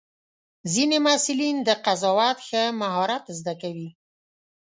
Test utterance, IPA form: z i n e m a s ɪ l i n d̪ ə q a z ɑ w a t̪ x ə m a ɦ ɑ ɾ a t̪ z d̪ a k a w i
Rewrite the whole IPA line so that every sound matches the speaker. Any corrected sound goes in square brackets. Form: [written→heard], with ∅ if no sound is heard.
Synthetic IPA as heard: z i n e m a s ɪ l i n d̪ ə q a z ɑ w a t̪ x ə m a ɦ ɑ ɾ a t̪ z d̪ a k a w i